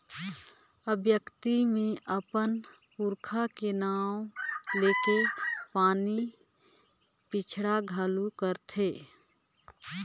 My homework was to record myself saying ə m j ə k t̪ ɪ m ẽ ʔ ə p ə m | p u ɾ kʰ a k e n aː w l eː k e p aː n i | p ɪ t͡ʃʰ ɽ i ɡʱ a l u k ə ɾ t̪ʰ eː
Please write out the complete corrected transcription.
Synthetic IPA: ə b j ə k t̪ i m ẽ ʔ ə p ə n | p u ɾ kʰ a k e n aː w l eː k e p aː n i | p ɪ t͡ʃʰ ɽ a ɡʱ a l u k ə ɾ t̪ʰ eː